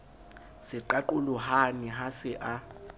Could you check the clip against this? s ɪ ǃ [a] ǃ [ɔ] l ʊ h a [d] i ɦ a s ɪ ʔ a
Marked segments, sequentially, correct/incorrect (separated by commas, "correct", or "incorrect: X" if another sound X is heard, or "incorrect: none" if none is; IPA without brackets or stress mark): correct, incorrect: u, incorrect: n